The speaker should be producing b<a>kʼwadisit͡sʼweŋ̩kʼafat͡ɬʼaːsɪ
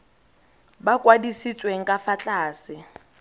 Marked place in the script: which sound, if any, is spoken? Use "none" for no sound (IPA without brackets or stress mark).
a